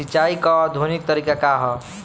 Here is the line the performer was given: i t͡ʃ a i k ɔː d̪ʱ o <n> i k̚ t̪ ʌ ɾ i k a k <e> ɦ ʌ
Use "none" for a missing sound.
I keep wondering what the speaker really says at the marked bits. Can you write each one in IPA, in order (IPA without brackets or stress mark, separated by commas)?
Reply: n, a